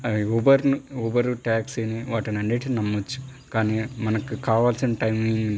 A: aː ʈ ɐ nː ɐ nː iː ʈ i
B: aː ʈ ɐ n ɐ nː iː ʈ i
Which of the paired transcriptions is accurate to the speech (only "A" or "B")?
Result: B